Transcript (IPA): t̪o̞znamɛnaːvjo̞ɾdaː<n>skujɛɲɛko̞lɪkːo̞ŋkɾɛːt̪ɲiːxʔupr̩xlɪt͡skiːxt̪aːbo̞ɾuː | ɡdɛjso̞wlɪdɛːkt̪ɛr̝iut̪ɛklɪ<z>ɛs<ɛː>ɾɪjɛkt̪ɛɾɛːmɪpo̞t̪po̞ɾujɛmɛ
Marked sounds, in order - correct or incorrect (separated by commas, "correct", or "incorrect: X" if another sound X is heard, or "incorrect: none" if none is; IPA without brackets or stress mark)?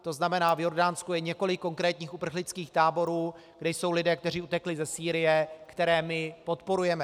correct, correct, incorrect: iː